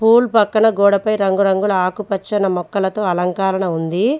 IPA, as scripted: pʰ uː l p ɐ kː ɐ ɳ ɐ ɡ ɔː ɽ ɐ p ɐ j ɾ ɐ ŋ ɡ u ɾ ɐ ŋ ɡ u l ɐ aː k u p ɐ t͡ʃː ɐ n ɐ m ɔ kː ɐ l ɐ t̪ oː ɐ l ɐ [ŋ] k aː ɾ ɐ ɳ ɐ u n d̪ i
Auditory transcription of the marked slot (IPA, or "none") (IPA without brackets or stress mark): ŋ